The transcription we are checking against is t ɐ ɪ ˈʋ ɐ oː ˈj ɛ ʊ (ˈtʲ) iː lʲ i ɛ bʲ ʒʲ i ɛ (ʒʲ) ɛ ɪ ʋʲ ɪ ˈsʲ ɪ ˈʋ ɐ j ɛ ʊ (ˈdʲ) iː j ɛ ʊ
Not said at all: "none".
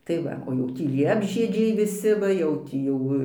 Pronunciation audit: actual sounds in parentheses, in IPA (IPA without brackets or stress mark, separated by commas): tʲ, d͡ʒʲ, tʲ